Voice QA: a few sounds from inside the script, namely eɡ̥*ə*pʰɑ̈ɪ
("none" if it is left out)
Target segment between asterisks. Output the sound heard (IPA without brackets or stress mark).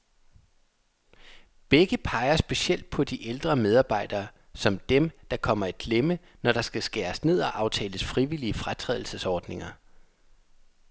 ə